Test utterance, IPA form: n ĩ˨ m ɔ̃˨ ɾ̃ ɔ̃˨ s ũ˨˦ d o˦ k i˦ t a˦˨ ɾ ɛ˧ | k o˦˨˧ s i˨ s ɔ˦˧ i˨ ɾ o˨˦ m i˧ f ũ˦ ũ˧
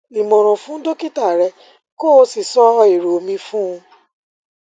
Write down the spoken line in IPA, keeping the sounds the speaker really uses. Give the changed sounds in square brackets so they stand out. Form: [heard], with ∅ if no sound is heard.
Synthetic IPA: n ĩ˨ m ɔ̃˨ ɾ̃ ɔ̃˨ [f] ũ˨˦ d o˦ k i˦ t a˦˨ ɾ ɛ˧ | k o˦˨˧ s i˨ s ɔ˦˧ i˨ ɾ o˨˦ m [ĩ˧] f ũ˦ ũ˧